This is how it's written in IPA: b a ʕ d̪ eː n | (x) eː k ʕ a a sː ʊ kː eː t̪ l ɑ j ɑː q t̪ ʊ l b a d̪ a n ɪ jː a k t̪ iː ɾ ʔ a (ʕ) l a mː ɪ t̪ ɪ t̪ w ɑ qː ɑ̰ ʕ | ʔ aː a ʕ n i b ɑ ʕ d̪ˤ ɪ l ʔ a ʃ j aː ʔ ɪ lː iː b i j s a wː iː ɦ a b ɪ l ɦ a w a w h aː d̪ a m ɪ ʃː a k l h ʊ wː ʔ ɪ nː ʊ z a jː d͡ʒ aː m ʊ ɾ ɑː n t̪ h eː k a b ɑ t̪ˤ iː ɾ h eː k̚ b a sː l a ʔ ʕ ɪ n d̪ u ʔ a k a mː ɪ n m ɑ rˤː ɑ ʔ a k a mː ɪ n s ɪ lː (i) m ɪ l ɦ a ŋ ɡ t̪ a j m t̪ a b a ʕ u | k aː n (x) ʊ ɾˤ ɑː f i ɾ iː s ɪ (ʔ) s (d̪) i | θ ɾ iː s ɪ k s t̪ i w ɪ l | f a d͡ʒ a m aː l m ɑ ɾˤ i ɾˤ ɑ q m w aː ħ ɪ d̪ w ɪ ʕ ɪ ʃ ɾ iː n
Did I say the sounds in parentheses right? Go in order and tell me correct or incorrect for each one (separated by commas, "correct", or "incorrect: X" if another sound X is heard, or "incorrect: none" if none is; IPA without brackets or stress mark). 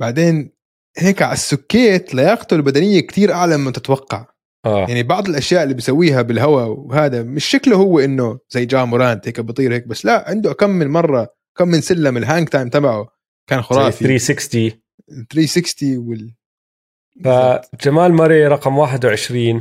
incorrect: h, correct, incorrect: a, correct, incorrect: k, incorrect: t̪